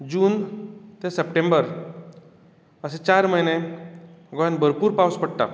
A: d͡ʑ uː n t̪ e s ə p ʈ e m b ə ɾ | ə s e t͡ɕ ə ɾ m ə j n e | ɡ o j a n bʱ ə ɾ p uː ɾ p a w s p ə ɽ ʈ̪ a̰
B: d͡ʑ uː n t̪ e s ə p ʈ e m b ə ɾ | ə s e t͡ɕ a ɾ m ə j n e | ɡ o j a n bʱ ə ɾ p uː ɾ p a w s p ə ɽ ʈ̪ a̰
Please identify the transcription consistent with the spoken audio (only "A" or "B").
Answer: B